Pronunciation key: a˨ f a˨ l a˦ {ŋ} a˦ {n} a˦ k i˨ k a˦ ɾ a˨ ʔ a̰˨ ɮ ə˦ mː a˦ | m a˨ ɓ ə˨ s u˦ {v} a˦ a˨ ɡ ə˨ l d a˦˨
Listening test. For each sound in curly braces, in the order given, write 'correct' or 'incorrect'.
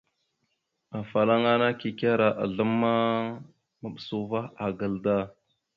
correct, correct, correct

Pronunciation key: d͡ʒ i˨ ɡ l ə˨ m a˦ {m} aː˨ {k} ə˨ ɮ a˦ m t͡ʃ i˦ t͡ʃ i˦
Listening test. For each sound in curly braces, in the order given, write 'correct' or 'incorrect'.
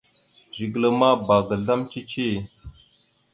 incorrect: b, incorrect: ɡ

